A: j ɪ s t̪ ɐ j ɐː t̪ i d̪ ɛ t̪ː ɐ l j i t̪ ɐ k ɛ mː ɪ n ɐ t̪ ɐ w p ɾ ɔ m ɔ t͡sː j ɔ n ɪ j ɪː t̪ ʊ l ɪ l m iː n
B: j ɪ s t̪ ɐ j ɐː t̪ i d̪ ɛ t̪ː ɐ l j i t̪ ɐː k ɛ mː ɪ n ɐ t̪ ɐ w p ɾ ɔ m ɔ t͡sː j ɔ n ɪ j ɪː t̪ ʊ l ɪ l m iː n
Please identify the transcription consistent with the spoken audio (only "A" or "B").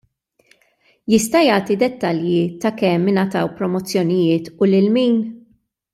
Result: A